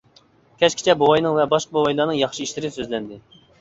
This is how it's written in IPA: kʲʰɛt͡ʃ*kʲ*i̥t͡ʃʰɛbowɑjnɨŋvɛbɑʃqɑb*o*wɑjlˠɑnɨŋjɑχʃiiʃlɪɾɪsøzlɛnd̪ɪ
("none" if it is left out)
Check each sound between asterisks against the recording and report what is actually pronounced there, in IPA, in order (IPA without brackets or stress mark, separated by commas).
kʲ, o